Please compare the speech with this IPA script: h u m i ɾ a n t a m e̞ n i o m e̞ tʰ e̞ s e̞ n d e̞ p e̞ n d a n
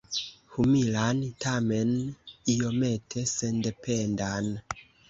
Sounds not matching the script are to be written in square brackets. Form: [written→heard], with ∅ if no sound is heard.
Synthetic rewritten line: h u m i [ɾ→l] a n t a m e̞ n i o m e̞ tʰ e̞ s e̞ n d e̞ p e̞ n d a n